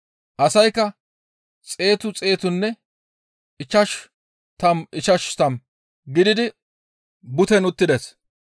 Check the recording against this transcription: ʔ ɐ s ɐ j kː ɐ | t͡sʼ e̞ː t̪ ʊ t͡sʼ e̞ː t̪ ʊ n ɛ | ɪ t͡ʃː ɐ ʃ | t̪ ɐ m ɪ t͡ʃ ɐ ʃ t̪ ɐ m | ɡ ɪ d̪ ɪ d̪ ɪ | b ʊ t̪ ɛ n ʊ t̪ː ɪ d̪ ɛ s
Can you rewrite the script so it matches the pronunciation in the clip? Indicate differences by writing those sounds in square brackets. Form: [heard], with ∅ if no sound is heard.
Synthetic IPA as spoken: ʔ ɐ s ɐ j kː ɐ | t͡sʼ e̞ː t̪ ʊ t͡sʼ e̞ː t̪ ʊ [nː] ɛ | ɪ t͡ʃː ɐ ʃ | t̪ ɐ m ɪ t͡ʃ ɐ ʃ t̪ ɐ m | ɡ ɪ d̪ ɪ d̪ ɪ | b ʊ t̪ ɛ n ʊ t̪ː ɪ d̪ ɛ s

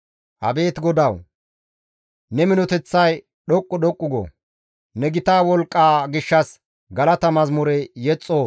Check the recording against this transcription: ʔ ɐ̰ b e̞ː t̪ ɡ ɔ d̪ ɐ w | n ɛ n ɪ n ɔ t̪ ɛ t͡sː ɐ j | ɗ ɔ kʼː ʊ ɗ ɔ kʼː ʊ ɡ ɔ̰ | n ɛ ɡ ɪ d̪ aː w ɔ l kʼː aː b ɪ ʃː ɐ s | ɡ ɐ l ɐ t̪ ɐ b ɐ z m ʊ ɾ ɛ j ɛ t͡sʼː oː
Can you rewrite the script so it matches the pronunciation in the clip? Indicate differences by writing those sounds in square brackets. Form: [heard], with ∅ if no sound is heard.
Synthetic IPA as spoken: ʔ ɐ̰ b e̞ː t̪ ɡ ɔ d̪ ɐ w | n ɛ [m] ɪ n ɔ t̪ ɛ t͡sː ɐ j | ɗ ɔ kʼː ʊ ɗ ɔ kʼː ʊ ɡ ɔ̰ | n ɛ ɡ ɪ [t̪] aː w ɔ l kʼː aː [ɡ] ɪ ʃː ɐ s | ɡ ɐ l ɐ t̪ ɐ [m] ɐ z m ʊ ɾ ɛ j ɛ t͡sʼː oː

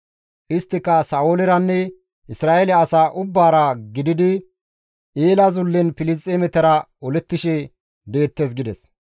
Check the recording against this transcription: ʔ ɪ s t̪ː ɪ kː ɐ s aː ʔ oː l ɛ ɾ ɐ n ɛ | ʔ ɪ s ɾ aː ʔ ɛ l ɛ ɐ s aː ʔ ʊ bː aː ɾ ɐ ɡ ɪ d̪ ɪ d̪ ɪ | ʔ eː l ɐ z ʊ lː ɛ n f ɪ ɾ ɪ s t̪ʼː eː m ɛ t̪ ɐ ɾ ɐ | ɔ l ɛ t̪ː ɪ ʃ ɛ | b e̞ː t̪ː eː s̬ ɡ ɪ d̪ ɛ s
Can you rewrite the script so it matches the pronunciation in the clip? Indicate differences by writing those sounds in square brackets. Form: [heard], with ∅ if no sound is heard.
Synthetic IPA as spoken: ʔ ɪ s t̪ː ɪ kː ɐ s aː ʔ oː l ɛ ɾ ɐ [nː] ɛ | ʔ ɪ s ɾ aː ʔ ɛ l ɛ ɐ s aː ʔ ʊ bː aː ɾ ɐ ɡ ɪ d̪ ɪ d̪ ɪ | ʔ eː l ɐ z ʊ lː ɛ n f ɪ [l] ɪ s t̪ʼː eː m ɛ t̪ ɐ ɾ ɐ | ɔ l ɛ t̪ː ɪ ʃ ɛ | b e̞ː t̪ː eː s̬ ɡ ɪ d̪ ɛ s

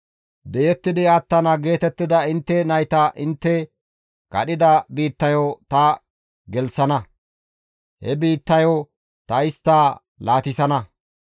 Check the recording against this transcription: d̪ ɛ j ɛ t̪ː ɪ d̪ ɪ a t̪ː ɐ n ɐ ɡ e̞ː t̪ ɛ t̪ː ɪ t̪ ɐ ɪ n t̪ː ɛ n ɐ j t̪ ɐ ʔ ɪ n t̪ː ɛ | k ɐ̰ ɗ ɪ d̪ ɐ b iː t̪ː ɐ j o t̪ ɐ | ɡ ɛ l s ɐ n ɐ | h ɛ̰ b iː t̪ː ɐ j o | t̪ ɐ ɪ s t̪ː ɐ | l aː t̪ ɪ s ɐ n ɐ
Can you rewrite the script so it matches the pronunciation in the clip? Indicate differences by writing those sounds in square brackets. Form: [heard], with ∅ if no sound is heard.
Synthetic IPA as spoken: d̪ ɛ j ɛ t̪ː ɪ d̪ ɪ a t̪ː ɐ n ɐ ɡ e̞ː t̪ ɛ t̪ː ɪ [d̪] ɐ ɪ n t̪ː ɛ n ɐ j t̪ ɐ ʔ ɪ n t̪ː ɛ | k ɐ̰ ɗ ɪ d̪ ɐ b iː t̪ː ɐ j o t̪ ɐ | ɡ ɛ l s ɐ n ɐ | h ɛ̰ b iː t̪ː ɐ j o | t̪ ɐ ɪ s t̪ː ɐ | l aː t̪ ɪ s ɐ n ɐ

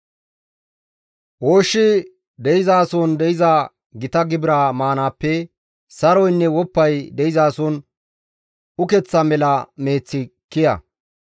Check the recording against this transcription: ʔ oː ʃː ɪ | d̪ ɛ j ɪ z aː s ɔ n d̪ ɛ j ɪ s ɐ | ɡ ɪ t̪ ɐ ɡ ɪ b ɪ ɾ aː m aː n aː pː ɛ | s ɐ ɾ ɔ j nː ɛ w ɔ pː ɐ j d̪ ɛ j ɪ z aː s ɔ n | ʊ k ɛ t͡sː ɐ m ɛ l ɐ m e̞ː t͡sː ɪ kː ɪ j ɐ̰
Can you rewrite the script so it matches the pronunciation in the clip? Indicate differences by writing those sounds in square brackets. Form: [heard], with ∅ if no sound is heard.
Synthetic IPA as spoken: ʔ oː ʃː ɪ | d̪ ɛ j ɪ z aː s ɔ n d̪ ɛ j ɪ [z] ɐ | ɡ ɪ t̪ ɐ ɡ ɪ b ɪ ɾ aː m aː n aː pː ɛ | s ɐ ɾ ɔ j nː ɛ w ɔ pː ɐ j d̪ ɛ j ɪ z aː s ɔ n | ʊ k ɛ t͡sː ɐ m ɛ l ɐ m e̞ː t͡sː ɪ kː ɪ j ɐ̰

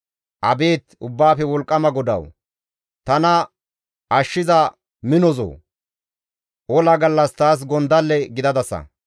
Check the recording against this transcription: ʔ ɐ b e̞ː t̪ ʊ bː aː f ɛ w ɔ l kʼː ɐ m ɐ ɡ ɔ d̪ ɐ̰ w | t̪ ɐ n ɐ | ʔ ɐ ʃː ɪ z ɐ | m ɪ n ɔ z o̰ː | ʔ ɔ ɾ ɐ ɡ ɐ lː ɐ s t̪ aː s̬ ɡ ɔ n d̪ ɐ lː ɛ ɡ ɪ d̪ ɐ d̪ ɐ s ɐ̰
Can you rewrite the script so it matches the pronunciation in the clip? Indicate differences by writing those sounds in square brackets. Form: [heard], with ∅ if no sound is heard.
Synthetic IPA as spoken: ʔ ɐ b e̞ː t̪ ʊ bː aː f ɛ w ɔ l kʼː ɐ m ɐ ɡ ɔ d̪ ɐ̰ w | t̪ ɐ n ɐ | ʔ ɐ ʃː ɪ z ɐ | m ɪ n ɔ z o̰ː | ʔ ɔ [l] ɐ ɡ ɐ lː ɐ s t̪ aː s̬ ɡ ɔ n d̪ ɐ lː ɛ ɡ ɪ d̪ ɐ d̪ ɐ s ɐ̰

